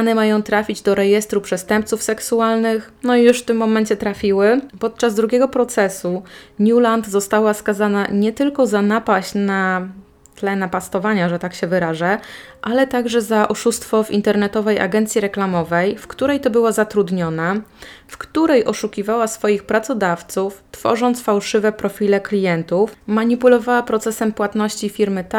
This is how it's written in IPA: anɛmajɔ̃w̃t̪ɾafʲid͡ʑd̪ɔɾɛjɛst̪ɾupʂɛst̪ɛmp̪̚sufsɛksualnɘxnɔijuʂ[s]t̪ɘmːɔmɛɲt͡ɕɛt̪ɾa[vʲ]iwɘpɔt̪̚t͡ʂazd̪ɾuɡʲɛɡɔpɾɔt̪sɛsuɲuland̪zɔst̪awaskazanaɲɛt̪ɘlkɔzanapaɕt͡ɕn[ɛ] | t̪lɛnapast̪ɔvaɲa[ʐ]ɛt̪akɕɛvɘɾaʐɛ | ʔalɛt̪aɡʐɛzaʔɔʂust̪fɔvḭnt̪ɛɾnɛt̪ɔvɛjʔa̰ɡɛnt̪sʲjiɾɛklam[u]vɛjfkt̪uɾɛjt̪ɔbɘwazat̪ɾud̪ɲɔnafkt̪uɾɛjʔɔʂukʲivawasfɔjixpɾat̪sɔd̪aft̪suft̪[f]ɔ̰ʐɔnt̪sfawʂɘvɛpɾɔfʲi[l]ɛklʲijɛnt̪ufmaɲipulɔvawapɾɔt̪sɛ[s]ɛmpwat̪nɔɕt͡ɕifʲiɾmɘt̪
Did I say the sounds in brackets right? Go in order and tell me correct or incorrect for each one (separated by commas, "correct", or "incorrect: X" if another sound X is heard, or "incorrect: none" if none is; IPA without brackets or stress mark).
incorrect: f, incorrect: fʲ, incorrect: a, correct, incorrect: ɔ, correct, correct, correct